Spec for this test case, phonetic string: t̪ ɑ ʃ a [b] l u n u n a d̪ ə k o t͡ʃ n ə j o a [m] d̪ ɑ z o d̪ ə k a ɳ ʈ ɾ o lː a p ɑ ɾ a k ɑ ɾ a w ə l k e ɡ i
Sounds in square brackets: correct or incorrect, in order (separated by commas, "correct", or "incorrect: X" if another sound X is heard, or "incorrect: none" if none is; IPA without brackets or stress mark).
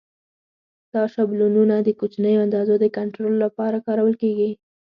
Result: correct, incorrect: n